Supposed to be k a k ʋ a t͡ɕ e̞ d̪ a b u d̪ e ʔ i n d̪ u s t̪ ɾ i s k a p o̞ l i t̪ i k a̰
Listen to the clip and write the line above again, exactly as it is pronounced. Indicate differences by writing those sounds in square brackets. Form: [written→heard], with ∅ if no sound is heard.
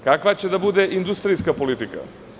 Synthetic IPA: k a k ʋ a t͡ɕ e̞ d̪ a b u d̪ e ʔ i n d̪ u s t̪ ɾ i s k a p o̞ l i t̪ i k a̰